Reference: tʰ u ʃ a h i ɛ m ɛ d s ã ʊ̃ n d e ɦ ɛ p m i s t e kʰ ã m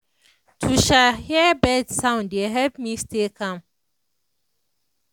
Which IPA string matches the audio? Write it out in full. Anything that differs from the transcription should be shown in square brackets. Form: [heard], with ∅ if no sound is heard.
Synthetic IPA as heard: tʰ u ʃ a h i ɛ [b] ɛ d s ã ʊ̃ n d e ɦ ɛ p m i s t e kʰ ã m